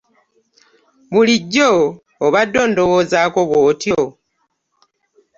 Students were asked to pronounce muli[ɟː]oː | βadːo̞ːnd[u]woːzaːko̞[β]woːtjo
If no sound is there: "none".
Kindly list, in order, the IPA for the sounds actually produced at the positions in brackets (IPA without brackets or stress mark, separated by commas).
ɟː, o, β